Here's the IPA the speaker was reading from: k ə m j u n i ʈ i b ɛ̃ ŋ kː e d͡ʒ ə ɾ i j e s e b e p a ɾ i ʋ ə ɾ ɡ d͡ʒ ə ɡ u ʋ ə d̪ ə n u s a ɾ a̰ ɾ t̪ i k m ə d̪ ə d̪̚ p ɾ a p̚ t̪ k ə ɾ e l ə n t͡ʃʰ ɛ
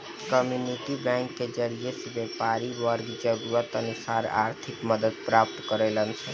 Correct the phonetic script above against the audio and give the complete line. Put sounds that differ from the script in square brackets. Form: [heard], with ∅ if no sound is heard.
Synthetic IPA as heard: k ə m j u n i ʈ i b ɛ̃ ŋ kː e d͡ʒ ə ɾ i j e s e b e p a ɾ i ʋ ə ɾ ɡ d͡ʒ ə ɡ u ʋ ə [t̪] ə n u s a ɾ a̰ ɾ [t̪ʰ] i k m ə d̪ ə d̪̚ p ɾ a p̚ t̪ k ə ɾ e l ə n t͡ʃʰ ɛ

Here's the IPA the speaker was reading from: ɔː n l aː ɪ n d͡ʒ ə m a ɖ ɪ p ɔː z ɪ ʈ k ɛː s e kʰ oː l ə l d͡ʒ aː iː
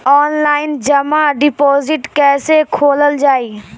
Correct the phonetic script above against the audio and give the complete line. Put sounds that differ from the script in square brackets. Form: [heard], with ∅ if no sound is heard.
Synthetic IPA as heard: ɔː n l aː ɪ n d͡ʒ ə m a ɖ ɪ p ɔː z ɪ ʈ k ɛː s e kʰ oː l ə l d͡ʒ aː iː

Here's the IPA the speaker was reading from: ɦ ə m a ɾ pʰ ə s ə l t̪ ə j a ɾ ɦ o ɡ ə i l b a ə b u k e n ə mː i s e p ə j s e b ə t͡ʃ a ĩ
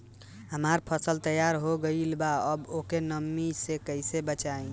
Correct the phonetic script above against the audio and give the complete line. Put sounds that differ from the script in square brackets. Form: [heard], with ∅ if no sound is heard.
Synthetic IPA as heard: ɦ ə m a ɾ pʰ ə s ə l t̪ ə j a ɾ ɦ o ɡ ə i l b a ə b [o] k e n ə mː i s e [k] ə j s e b ə t͡ʃ a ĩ

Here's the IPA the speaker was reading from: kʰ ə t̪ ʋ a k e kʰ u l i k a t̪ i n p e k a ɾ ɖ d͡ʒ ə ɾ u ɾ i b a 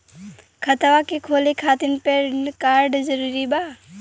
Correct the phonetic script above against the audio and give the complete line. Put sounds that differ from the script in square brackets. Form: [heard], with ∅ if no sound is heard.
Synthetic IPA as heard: kʰ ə t̪ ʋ a k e kʰ [o] l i [kʰ] a t̪ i n p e k a ɾ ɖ d͡ʒ ə ɾ u ɾ i b a

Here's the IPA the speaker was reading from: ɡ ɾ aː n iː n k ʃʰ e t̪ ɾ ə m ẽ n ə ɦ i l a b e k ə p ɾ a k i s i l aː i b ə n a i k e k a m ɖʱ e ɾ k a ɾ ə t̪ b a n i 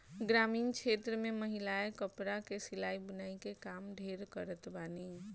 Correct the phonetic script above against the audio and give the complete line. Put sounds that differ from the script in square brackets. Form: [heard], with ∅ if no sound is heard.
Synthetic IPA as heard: ɡ ɾ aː [m] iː n k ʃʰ e t̪ ɾ ə m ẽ [m] ə ɦ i l a [∅] e k ə p ɾ a k [e] s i l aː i b ə n a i k e k a m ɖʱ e ɾ k [ə] ɾ ə t̪ b a n i

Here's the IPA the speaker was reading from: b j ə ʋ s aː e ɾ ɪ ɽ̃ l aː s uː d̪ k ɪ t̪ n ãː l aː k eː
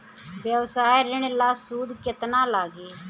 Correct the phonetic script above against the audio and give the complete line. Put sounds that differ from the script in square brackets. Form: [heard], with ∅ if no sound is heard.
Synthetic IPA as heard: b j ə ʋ s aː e ɾ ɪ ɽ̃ l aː s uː d̪ k ɪ t̪ n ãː l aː [ɡ] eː

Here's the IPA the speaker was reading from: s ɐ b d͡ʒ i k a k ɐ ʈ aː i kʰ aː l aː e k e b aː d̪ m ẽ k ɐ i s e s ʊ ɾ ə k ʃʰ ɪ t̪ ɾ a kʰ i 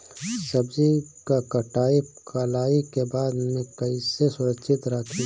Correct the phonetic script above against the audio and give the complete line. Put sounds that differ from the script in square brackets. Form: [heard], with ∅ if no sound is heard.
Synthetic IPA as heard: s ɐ b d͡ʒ i k a k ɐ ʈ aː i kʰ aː l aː [i] k e b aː d̪ m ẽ k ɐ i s e s ʊ ɾ ə k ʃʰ ɪ t̪ ɾ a kʰ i

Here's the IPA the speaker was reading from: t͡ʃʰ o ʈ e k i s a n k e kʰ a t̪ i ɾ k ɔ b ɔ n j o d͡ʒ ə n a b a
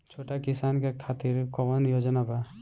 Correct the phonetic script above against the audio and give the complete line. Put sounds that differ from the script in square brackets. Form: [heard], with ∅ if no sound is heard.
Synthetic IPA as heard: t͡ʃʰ o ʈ [a] k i s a n k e kʰ a t̪ i ɾ k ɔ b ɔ n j o d͡ʒ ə n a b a

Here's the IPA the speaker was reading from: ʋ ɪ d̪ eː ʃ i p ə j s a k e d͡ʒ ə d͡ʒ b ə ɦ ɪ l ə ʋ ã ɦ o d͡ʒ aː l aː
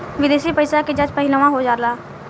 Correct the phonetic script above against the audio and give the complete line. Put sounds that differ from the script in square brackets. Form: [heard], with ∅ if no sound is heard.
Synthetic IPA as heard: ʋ ɪ d̪ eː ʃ i p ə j s a k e d͡ʒ ə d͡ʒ [p] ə ɦ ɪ l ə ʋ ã ɦ o d͡ʒ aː l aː

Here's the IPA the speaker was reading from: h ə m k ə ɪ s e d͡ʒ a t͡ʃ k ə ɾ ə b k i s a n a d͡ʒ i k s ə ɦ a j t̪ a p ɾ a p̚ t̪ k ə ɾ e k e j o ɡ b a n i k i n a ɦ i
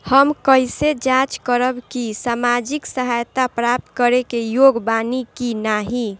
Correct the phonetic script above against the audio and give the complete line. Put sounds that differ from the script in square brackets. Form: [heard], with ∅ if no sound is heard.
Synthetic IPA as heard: h ə m k ə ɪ s e d͡ʒ a t͡ʃ k ə ɾ ə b k i s a [m] a d͡ʒ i k s ə ɦ a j t̪ a p ɾ a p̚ t̪ k ə ɾ e k e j o ɡ b a n i k i n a ɦ i

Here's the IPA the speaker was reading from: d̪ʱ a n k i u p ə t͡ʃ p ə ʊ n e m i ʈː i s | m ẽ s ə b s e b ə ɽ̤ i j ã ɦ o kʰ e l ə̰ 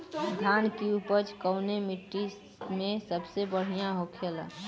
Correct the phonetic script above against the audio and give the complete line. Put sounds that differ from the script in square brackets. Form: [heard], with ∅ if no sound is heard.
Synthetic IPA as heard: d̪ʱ a n k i u p ə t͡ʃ [k] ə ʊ n e m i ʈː i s | m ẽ s ə b s e b ə ɽ̤ i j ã ɦ o kʰ e l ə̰

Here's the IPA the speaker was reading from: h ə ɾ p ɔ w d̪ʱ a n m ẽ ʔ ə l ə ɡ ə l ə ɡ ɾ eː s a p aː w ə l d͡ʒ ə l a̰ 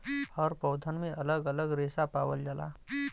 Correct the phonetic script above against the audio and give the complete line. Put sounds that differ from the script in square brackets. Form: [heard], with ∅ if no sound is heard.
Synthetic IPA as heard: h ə ɾ p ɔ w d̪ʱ [ə] n m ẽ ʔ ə l ə ɡ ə l ə ɡ ɾ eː s a p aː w ə l d͡ʒ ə l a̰

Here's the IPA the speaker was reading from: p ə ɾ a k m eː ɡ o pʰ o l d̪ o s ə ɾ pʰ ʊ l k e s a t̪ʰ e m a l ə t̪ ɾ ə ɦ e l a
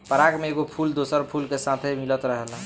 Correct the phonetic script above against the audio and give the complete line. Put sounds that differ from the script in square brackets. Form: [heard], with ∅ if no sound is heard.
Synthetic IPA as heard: p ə ɾ a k m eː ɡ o pʰ [u] l d̪ o s ə ɾ pʰ [u] l k e s a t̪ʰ e m [i] l ə t̪ ɾ ə ɦ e l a

